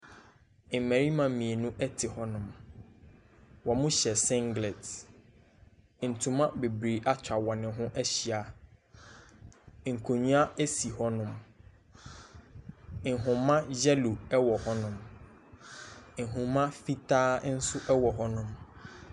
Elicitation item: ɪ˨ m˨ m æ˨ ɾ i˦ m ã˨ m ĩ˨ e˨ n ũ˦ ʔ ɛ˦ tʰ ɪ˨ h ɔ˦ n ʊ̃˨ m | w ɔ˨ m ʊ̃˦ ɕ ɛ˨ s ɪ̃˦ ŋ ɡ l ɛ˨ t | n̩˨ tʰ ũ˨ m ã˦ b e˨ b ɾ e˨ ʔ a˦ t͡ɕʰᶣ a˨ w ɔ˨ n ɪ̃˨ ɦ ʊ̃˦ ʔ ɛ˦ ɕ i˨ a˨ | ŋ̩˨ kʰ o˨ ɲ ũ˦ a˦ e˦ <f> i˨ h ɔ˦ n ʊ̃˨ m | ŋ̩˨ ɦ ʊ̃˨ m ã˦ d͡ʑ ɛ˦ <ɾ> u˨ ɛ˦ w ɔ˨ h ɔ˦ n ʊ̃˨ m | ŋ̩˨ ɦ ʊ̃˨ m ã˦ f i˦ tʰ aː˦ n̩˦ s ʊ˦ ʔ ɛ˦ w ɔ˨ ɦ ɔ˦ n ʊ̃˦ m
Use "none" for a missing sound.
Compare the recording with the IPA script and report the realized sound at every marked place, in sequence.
s, l

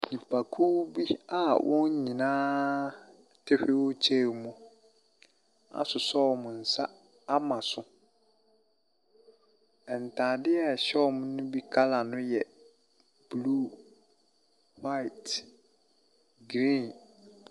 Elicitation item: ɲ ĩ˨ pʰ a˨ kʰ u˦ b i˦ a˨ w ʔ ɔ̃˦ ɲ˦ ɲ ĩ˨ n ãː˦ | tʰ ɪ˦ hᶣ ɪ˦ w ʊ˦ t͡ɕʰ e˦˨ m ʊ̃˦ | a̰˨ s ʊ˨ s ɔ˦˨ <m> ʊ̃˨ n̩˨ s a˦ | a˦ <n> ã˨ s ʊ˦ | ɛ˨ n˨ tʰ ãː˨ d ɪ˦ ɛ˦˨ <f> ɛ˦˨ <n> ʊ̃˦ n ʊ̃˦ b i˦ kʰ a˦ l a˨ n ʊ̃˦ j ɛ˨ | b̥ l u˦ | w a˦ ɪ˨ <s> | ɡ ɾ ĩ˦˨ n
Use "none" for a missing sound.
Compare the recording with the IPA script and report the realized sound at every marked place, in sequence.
m, m, ɕ, m, t

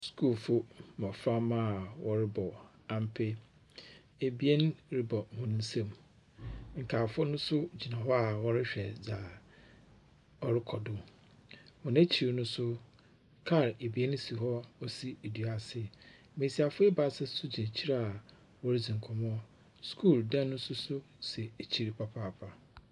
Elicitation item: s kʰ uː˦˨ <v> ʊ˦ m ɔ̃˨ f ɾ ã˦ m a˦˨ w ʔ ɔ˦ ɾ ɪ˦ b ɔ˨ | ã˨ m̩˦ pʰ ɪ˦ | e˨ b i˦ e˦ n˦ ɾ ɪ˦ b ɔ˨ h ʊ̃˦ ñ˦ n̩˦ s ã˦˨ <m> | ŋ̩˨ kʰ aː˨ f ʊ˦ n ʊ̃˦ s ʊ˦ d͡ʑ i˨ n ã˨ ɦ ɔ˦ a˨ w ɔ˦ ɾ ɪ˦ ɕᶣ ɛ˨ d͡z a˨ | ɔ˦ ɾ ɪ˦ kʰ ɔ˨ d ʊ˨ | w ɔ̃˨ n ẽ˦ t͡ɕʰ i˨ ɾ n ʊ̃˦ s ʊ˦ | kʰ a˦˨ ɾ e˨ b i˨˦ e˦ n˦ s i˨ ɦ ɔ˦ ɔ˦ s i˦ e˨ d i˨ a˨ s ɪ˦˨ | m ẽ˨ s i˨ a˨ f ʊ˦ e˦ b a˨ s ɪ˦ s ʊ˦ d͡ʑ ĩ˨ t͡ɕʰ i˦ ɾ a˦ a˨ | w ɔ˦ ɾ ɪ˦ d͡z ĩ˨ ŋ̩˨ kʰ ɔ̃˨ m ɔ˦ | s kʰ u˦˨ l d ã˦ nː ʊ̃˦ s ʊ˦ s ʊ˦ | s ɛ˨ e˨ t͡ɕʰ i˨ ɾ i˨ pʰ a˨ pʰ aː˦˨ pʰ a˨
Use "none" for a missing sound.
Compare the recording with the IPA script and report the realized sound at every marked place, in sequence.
f, m

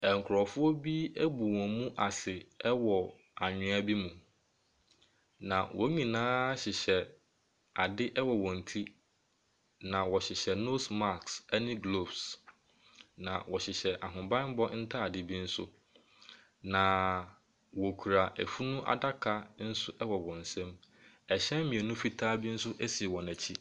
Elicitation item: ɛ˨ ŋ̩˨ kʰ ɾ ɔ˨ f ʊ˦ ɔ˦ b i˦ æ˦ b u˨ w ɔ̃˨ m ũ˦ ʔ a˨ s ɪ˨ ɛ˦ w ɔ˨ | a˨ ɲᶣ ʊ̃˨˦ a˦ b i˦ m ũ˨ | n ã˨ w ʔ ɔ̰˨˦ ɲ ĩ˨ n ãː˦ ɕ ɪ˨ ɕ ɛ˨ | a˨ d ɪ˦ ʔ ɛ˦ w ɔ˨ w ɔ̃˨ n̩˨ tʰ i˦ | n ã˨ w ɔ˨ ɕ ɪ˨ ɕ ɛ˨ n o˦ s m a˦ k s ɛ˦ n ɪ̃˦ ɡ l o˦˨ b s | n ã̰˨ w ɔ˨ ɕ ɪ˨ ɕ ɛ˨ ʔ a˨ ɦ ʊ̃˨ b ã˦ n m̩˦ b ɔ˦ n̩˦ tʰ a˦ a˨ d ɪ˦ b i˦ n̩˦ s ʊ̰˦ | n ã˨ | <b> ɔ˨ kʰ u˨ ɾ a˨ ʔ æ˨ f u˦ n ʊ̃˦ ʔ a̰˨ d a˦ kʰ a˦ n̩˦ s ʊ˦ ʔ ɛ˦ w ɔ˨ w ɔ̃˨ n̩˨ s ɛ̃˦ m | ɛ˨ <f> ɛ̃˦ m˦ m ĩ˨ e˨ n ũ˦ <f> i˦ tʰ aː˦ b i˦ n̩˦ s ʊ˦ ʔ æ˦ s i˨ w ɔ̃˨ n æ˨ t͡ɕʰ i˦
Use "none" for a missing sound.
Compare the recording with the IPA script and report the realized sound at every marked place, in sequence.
w, ɕ, f

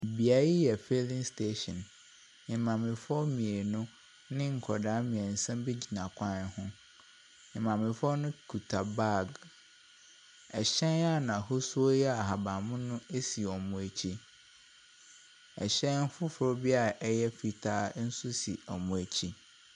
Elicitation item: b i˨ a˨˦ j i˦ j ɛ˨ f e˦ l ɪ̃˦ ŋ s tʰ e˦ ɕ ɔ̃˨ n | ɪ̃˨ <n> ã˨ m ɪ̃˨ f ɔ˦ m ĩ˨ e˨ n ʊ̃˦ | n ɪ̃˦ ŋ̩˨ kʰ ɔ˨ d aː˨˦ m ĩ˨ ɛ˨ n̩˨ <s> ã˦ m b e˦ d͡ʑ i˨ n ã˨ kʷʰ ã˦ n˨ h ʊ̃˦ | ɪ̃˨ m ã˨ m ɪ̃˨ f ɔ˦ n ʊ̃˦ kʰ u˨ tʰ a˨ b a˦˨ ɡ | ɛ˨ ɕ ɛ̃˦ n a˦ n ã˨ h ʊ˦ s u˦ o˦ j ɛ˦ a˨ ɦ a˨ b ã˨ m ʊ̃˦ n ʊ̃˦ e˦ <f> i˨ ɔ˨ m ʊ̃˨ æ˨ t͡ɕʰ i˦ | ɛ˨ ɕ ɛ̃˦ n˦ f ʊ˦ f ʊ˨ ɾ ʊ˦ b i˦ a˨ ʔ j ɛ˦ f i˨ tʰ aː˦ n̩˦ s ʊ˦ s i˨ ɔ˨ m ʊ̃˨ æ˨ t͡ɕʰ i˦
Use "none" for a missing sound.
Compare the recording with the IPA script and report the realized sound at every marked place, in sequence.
m, s, s

